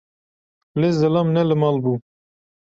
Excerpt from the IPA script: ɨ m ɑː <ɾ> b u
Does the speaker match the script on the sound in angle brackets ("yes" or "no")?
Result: no